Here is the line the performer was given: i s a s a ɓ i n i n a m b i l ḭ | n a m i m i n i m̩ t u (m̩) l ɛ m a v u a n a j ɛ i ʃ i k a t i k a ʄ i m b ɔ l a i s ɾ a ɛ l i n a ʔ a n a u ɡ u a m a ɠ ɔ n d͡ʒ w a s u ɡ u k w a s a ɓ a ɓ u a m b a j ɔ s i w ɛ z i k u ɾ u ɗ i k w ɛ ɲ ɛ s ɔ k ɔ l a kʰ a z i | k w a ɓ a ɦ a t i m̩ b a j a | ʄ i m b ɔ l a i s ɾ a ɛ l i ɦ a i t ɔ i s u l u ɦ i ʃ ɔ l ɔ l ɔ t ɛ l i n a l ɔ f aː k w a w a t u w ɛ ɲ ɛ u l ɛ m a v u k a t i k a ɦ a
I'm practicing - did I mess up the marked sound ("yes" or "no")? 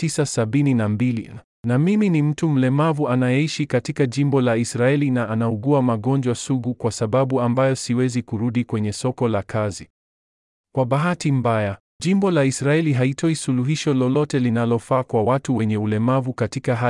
no